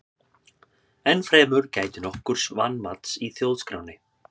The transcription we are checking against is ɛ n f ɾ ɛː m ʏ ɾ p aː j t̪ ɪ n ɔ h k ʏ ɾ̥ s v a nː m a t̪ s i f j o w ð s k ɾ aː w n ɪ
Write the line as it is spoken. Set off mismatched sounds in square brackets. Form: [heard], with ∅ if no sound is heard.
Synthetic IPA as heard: ɛ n f ɾ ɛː m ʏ ɾ [c] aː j t̪ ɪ n ɔ h k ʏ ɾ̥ s v a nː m a t̪ s i [θ] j o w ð s k ɾ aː w n ɪ